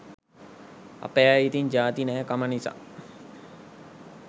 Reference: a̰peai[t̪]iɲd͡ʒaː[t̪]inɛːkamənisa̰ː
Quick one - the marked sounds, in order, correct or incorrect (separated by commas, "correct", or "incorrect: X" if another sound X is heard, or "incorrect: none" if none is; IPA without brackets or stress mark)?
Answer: correct, correct